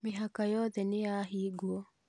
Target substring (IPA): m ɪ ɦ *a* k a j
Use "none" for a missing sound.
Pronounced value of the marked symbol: a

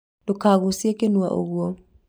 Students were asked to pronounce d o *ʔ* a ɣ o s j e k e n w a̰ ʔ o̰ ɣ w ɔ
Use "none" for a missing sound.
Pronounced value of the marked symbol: k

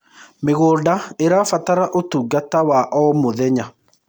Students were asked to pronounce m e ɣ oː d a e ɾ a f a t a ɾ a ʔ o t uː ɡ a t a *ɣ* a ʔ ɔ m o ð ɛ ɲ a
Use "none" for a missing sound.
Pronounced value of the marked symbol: w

